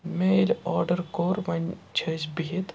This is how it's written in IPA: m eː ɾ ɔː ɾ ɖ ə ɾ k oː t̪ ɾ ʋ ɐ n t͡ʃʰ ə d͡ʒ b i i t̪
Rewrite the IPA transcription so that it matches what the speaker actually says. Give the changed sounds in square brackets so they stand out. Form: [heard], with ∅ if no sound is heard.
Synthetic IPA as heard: m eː [l] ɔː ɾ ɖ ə ɾ k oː [∅] ɾ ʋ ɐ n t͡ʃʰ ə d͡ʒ b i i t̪